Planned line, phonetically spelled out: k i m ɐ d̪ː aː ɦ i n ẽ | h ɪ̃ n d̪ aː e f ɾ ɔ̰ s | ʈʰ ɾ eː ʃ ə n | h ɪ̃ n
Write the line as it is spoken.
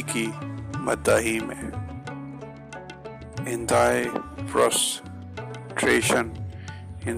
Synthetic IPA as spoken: k i m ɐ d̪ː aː ɦ i m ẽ | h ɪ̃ n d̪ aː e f ɾ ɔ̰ s | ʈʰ ɾ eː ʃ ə n | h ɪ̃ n